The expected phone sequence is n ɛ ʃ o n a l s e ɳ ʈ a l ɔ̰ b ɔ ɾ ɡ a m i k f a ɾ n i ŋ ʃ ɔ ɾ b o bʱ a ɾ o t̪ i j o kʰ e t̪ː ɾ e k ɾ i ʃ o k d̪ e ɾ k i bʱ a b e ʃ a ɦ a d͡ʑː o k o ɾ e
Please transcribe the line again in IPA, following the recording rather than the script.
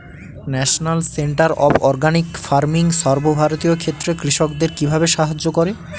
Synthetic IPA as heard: n ɛ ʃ o n a l s e ɳ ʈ a ɾ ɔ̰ b ɔ ɾ ɡ a n i k f a ɾ m i ŋ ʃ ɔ ɾ b o bʱ a ɾ o t̪ i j o kʰ e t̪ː ɾ e k ɾ i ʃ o k d̪ e ɾ k i bʱ a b e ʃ a ɦ a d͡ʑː o k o ɾ e